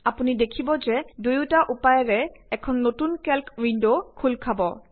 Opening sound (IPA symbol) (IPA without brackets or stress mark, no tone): a